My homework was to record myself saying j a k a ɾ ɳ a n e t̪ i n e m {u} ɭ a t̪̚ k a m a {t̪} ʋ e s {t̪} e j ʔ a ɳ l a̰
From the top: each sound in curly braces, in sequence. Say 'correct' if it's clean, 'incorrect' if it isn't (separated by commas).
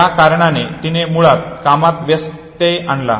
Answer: correct, correct, correct